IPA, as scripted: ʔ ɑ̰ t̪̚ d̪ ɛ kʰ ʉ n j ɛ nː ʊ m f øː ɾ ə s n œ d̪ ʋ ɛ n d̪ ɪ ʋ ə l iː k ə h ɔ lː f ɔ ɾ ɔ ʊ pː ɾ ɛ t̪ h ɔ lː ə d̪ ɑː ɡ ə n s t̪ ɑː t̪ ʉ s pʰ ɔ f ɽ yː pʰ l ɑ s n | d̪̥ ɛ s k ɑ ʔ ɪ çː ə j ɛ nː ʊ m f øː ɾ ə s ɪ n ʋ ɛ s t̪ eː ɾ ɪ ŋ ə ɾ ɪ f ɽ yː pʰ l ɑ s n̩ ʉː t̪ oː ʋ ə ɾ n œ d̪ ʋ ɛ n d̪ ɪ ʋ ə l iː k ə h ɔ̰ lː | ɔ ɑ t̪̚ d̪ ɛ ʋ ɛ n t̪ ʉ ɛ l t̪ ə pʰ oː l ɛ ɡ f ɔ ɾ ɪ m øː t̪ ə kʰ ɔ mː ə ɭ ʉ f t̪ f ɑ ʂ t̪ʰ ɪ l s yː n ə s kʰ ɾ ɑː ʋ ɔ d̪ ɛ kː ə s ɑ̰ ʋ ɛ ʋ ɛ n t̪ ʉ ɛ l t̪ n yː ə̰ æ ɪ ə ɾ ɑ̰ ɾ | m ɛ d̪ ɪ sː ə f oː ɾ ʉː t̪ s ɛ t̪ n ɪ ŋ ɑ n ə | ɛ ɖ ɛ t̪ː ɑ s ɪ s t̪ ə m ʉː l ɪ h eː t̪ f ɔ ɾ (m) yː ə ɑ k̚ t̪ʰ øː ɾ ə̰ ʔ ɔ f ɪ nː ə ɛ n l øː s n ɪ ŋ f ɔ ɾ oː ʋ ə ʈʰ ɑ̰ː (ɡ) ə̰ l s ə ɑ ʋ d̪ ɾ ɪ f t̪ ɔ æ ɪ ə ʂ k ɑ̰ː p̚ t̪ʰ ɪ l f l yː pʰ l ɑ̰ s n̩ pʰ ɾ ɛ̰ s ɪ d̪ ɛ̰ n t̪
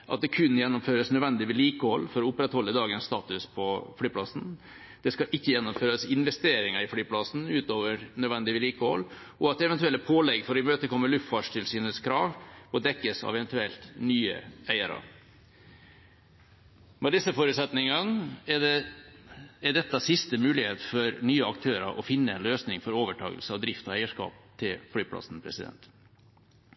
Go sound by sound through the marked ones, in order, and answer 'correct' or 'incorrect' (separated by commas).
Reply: incorrect, correct